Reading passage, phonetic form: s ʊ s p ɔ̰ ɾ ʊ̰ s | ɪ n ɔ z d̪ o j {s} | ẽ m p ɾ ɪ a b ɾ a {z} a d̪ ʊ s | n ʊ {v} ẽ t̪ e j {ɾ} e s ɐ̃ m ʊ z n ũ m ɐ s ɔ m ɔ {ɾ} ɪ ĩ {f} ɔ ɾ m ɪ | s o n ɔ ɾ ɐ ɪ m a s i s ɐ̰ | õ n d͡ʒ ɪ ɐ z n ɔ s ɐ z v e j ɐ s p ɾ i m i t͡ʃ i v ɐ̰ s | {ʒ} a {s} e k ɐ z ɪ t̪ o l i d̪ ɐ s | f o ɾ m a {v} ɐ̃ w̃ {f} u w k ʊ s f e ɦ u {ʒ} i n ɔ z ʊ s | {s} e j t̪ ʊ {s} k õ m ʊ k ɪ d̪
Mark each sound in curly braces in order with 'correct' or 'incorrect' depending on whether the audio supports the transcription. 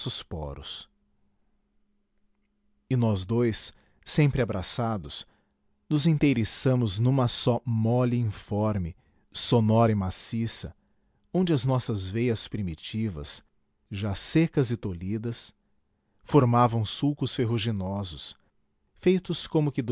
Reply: incorrect: sː, incorrect: s, incorrect: z, correct, incorrect: l, correct, correct, correct, correct, incorrect: s, correct, incorrect: f, correct

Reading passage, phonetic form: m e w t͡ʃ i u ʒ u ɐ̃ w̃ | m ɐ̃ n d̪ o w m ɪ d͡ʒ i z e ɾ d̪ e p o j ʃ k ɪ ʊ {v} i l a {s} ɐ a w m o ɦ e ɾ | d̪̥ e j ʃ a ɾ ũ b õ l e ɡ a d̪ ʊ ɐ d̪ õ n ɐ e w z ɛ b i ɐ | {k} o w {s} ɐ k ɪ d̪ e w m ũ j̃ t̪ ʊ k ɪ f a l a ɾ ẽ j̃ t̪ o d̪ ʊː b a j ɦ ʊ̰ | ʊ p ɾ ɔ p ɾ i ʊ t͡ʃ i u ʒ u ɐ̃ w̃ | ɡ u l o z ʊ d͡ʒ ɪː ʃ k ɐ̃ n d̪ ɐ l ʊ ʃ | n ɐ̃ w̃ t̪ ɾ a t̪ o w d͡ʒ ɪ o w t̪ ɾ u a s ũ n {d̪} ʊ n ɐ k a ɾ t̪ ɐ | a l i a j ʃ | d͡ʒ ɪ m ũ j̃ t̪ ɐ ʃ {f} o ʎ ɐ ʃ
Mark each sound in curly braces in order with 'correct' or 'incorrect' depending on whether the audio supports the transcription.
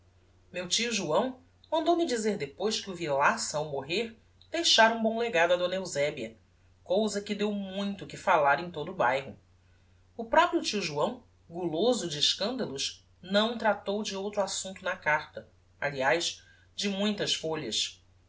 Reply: correct, correct, correct, incorrect: z, incorrect: t̪, correct

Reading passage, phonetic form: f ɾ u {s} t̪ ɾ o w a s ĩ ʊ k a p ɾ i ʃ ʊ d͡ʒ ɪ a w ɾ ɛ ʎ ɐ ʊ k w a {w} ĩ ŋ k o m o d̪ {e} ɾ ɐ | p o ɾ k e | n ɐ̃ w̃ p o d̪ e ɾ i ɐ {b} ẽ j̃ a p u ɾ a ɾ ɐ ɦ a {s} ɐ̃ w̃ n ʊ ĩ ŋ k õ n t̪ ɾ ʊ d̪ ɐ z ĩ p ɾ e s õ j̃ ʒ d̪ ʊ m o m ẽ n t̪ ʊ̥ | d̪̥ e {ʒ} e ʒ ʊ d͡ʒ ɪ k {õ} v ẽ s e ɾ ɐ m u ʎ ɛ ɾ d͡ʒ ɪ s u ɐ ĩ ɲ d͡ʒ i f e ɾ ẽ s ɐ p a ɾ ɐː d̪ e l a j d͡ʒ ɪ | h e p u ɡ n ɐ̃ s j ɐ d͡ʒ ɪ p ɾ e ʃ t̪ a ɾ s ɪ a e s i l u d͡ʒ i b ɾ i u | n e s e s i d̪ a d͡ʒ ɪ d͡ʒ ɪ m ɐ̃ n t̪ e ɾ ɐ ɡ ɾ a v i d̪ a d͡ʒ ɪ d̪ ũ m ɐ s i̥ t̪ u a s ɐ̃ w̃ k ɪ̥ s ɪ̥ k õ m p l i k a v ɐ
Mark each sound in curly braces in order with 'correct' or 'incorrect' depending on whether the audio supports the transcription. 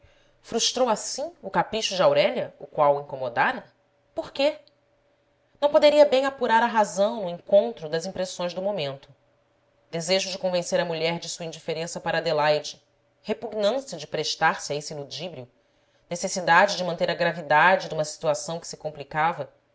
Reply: incorrect: ʃ, correct, incorrect: a, correct, incorrect: z, incorrect: z, correct

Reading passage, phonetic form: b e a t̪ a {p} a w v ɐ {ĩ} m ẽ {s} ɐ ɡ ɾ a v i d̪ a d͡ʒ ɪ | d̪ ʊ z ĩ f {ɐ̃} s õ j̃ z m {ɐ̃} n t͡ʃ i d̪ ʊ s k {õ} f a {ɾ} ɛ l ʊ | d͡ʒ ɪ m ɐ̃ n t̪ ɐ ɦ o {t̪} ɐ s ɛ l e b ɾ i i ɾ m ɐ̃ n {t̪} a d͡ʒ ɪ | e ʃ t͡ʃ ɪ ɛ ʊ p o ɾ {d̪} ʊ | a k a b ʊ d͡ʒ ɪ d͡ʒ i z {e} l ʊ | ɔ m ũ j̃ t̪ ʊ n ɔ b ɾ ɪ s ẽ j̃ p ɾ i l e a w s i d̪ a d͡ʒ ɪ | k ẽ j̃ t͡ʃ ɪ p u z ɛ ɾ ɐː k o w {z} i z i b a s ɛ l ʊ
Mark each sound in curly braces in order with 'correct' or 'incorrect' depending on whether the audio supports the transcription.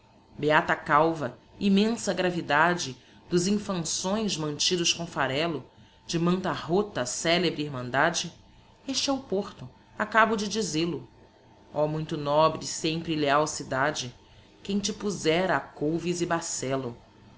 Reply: incorrect: k, incorrect: i, correct, correct, correct, correct, correct, correct, incorrect: d̪, incorrect: t̪, correct, incorrect: v

